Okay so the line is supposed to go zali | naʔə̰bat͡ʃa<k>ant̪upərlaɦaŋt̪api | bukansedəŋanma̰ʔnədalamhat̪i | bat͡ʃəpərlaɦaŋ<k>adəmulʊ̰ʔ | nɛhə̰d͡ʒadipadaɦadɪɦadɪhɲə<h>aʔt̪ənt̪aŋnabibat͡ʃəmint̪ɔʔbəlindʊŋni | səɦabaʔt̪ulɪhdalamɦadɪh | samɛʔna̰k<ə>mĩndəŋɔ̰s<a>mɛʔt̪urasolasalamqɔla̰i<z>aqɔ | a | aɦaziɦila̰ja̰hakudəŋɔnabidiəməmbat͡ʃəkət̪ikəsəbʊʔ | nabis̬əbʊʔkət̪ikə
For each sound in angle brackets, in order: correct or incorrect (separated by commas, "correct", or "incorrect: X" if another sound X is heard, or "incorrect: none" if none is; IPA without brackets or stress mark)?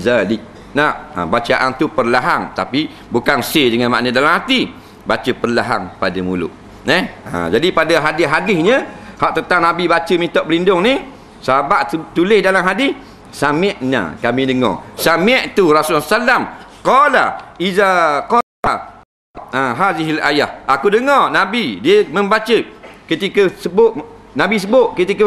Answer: incorrect: ʔ, incorrect: p, correct, incorrect: a, correct, correct